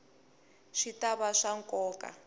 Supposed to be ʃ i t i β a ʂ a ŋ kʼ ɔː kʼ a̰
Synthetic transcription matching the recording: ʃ i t a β a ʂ a ŋ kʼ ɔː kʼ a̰